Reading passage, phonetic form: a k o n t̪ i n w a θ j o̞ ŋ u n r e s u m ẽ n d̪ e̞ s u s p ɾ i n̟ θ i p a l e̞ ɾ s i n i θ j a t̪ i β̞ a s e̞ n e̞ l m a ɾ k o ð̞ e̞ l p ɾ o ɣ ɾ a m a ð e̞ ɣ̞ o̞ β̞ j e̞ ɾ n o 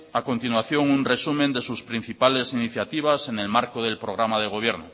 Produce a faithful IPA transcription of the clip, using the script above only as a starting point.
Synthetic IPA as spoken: a k o n t̪ i n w a θ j o̞ ŋ u n r e s u m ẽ n d̪ e̞ s u s p ɾ i n̟ θ i p a l e̞ s i n i θ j a t̪ i β̞ a s e̞ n e̞ l m a ɾ k o ð̞ e̞ l p ɾ o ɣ ɾ a m a ð e̞ ɣ̞ o̞ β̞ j e̞ ɾ n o

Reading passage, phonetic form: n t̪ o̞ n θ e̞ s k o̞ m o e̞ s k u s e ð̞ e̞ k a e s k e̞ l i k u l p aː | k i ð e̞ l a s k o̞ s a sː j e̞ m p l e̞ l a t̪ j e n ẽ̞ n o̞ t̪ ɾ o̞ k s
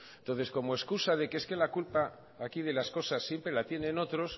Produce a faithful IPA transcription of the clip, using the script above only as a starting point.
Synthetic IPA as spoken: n t̪ o̞ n θ e̞ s k o̞ m o e̞ s k u s a ð̞ e̞ k e e s k e̞ l a k u l p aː | k i ð e̞ l a s k o̞ s a sː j e̞ m p ɾ e̞ l a t̪ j e n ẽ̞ n o̞ t̪ ɾ o̞ s

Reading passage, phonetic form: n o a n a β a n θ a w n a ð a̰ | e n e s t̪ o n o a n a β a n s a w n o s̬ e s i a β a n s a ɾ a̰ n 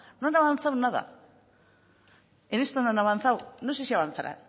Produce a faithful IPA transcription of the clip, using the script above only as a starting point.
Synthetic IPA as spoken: n o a n a β a n θ a w n a ð a̰ | e n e s t̪ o n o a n a β a n θ a w n o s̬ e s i a β a n θ a ɾ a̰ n

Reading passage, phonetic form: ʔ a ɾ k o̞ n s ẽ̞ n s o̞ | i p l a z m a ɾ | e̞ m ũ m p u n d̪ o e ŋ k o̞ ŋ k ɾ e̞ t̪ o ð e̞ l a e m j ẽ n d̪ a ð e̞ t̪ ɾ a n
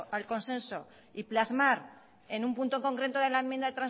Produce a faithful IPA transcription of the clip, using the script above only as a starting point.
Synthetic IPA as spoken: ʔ a l k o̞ n s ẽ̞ n s o̞ | i p l a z m a ɾ | e̞ n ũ m p u n t̪ o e ŋ k o̞ ŋ k ɾ e̞ t̪ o ð e̞ l a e m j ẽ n d̪ a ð e̞ t̪ ɾ a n

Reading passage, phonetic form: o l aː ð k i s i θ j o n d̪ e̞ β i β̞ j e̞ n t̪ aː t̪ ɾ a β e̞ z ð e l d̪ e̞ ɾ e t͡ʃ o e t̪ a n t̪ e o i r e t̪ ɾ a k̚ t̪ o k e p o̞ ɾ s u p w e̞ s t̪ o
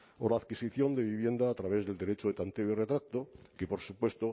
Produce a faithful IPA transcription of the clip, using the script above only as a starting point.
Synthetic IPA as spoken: o l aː ð k i s i θ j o n d̪ e̞ β i β̞ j e̞ n d̪ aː t̪ ɾ a β e̞ z ð e l d̪ e̞ ɾ e t͡ʃ o e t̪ a n t̪ e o i r e t̪ ɾ a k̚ t̪ o k e p o̞ ɾ s u p w e̞ s t̪ o

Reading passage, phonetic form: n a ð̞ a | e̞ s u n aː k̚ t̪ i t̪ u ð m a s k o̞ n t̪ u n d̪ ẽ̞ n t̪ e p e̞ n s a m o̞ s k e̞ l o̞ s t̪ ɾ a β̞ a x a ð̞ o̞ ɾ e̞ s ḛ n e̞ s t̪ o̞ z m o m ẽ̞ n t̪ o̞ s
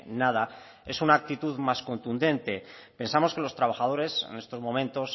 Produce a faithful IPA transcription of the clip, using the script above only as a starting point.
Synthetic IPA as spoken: n a ð̞ a | e̞ s u n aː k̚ t̪ i t̪ u ð m a s k o̞ n t̪ u n d̪ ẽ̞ n t̪ e p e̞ n s a m o̞ s k e̞ l o̞ s t̪ ɾ a β̞ a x a ð̞ o̞ ɾ e̞ s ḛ n e̞ s t̪ o̞ z m o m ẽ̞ n t̪ o̞ s

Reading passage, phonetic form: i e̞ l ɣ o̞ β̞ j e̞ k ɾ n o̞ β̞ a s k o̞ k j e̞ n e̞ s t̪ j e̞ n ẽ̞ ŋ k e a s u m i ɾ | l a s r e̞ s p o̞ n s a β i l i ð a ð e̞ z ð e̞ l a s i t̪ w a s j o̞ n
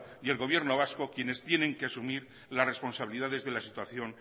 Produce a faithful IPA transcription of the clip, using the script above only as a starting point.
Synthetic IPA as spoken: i e̞ l ɣ o̞ β̞ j e̞ ɾ n o̞ β̞ a s k o̞ k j e̞ n e̞ s t̪ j e̞ n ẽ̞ ŋ k e a s u m i ɾ | l a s r e̞ s p o̞ n s a β i l i ð a ð e̞ z ð e̞ l a s i t̪ w a θ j o̞ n

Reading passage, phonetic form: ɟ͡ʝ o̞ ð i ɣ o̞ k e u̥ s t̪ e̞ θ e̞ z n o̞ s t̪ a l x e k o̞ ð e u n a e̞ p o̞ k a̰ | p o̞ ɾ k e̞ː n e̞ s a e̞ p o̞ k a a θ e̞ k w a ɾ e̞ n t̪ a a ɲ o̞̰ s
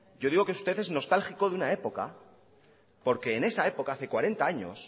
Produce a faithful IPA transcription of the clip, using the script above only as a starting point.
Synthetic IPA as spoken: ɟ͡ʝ o̞ ð i ɣ o̞ k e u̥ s t̪ e̞ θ e̞ z n o̞ s t̪ a l x i k o̞ ð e u n a e̞ p o̞ k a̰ | p o̞ ɾ k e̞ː n e̞ s a e̞ p o̞ k a a θ e̞ k w a ɾ e̞ n t̪ a a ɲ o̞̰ s

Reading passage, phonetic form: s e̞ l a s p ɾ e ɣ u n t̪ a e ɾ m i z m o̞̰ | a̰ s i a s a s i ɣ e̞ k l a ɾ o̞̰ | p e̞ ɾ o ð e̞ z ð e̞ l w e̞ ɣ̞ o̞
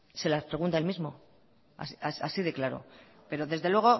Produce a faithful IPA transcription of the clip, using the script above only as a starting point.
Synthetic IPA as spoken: s e̞ l a s p ɾ e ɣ u n t̪ a e l m i z m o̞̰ | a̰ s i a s a s i ð e̞ k l a ɾ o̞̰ | p e̞ ɾ o ð e̞ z ð e̞ l w e̞ ɣ̞ o̞

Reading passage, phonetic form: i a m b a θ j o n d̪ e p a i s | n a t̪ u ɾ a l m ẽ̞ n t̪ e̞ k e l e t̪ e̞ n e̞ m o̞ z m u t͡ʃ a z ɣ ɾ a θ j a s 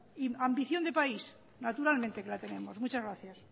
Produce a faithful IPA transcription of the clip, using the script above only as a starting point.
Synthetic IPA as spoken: i a m b i θ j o n d̪ e p a i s | n a t̪ u ɾ a l m ẽ̞ n t̪ e̞ k e l a t̪ e̞ n e̞ m o̞ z m u t͡ʃ a z ɣ ɾ a θ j a s

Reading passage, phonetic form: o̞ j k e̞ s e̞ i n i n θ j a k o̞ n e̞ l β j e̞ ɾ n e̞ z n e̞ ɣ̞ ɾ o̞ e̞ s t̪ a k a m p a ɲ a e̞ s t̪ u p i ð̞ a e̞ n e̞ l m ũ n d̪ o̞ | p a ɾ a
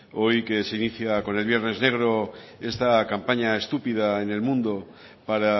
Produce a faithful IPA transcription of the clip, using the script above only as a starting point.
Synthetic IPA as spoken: o̞ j k e̞ s e̞ i n i θ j a k o̞ n e̞ l β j e̞ ɾ n e̞ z n e̞ ɣ̞ ɾ o̞ e̞ s t̪ a k a m p a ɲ a e̞ s t̪ u p i ð̞ a e̞ n e̞ l m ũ n d̪ o̞ | p a ɾ a

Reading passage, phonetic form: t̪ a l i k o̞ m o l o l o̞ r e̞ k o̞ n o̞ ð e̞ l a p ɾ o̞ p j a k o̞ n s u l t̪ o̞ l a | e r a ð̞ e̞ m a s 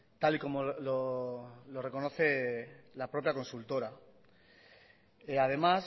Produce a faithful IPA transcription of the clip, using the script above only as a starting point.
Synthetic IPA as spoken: t̪ a l i k o̞ m o l o l o̞ r e̞ k o̞ n o̞ θ e̞ l a p ɾ o̞ p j a k o̞ n s u l t̪ o̞ ɾ a | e a ð̞ e̞ m a s

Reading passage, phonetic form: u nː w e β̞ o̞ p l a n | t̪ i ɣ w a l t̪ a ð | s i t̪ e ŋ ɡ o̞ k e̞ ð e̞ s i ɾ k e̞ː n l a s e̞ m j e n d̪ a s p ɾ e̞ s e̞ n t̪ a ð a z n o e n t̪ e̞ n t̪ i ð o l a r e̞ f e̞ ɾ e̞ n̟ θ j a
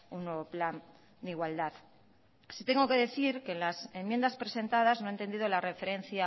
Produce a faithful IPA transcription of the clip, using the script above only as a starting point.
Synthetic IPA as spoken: u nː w e β̞ o̞ p l a n | d̪ i ɣ w a l d̪ a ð | s i t̪ e ŋ ɡ o̞ k e̞ ð e̞ θ i ɾ k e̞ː n l a s e̞ m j e n d̪ a s p ɾ e̞ s e̞ n t̪ a ð a z n o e n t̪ e̞ n d̪ i ð o l a r e̞ f e̞ ɾ e̞ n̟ θ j a

